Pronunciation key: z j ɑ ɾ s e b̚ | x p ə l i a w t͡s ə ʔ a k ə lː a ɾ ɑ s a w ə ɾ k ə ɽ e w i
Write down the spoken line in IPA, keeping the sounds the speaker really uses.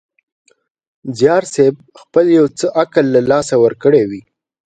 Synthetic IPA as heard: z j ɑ ɾ s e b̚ | x p ə l j a w t͡s ə ʔ a k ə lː a l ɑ s a w ə ɾ k ə ɽ e w i